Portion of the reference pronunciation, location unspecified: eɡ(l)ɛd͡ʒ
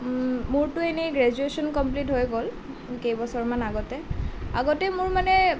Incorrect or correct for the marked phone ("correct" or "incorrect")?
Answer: incorrect